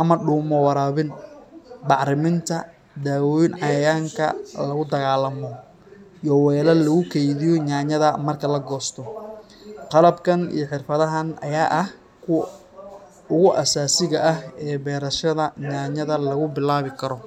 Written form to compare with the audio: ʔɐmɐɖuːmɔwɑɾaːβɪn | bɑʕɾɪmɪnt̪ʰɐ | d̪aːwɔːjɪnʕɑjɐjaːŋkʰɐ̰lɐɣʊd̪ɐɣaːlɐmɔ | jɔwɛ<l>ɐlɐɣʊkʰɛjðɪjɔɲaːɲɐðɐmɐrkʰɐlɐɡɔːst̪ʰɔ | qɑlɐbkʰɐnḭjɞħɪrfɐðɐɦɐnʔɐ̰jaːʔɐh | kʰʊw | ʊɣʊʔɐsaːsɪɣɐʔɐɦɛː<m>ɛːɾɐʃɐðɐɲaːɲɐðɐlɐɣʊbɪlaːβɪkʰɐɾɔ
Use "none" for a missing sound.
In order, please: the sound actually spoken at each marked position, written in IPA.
l, b

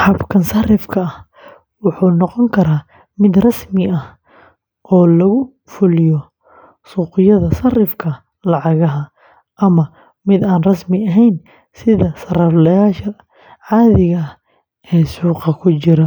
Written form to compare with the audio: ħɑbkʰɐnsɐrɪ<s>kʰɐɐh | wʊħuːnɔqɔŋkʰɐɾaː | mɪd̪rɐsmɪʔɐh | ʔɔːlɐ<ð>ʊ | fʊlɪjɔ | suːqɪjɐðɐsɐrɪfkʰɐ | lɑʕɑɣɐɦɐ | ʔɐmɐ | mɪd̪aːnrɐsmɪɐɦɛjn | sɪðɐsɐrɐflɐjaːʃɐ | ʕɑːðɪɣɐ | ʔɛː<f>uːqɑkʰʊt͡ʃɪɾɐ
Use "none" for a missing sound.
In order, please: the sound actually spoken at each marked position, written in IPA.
f, ɣ, s

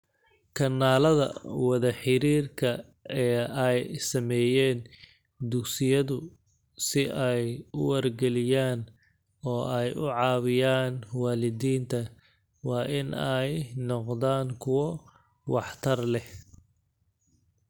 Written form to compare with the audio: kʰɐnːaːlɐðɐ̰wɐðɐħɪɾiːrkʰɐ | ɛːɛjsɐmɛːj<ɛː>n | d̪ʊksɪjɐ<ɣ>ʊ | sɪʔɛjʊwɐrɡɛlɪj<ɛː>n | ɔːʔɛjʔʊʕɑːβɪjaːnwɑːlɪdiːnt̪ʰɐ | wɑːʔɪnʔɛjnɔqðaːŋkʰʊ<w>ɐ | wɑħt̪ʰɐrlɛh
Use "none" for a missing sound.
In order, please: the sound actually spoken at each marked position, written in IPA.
ɛː, ð, aː, w

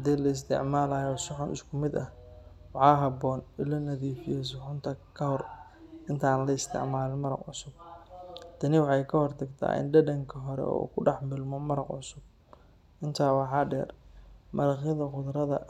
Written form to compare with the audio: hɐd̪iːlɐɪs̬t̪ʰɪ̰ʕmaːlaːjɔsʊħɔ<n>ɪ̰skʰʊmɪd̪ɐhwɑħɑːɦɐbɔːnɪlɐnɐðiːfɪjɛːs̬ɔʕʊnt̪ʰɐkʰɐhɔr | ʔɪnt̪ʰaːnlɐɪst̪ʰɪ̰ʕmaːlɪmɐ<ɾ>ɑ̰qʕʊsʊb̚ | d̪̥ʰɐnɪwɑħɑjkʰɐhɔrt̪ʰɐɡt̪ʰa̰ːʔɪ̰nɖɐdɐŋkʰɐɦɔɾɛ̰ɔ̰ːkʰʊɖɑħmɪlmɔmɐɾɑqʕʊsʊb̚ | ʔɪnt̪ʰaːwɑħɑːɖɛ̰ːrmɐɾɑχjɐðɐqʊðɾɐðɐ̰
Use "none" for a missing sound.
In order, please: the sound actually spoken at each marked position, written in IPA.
n, ɾ

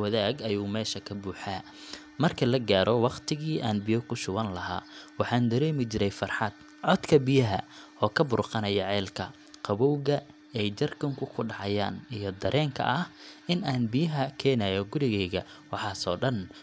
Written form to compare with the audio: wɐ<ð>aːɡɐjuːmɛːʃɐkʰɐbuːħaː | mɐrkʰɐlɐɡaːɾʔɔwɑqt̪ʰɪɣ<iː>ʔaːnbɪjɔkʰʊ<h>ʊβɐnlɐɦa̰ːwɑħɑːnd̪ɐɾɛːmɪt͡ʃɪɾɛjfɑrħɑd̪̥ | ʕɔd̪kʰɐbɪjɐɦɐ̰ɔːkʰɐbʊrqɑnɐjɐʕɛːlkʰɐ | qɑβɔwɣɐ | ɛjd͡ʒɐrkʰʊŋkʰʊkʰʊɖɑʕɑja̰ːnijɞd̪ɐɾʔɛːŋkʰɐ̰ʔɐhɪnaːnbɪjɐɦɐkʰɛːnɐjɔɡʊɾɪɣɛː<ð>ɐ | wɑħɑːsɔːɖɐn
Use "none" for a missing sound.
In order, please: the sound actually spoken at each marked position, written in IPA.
ð, iː, ʃ, ɣ

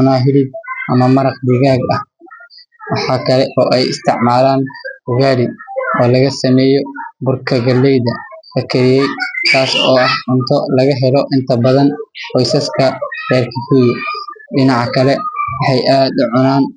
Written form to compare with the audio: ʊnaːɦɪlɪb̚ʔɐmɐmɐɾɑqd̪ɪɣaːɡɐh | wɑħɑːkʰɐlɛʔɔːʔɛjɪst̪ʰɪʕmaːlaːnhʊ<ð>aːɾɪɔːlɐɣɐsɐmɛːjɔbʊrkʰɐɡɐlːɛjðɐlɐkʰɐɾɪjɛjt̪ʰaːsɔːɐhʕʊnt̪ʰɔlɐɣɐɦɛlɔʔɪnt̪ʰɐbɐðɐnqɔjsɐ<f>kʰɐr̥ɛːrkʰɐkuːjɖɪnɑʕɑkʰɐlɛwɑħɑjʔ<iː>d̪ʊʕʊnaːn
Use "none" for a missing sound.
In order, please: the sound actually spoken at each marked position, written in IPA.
ɣ, s, aː

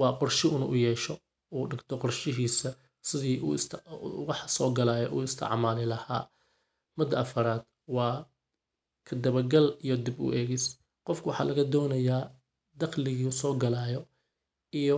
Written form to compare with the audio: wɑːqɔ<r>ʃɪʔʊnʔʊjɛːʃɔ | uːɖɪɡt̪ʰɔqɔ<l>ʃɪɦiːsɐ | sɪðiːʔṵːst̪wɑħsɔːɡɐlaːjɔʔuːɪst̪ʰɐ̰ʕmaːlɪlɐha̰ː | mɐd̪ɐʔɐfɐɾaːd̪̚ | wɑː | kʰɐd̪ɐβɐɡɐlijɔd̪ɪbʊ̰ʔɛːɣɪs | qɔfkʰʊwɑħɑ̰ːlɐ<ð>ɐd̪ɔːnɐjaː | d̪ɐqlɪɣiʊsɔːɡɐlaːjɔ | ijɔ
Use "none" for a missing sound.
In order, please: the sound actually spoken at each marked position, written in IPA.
r, r, ɣ

